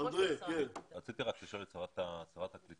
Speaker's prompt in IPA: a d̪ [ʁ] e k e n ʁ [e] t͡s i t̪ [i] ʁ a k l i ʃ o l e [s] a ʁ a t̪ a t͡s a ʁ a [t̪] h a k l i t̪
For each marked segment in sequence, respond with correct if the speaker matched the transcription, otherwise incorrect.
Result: correct, incorrect: a, correct, incorrect: t͡s, correct

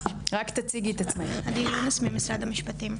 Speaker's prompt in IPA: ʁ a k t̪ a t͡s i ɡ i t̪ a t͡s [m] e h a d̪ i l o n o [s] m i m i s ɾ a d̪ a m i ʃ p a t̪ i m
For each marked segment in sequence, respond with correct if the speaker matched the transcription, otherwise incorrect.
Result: correct, correct

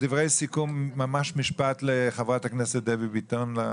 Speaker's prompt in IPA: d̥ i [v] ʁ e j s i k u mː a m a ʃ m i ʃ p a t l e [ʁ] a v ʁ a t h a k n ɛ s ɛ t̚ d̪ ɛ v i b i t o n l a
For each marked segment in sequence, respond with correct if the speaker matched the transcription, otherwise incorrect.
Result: correct, incorrect: χ

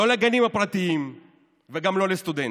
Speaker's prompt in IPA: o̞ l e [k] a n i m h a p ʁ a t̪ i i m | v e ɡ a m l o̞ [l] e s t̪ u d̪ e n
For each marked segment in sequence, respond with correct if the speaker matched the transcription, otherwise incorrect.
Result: incorrect: ɡ, correct

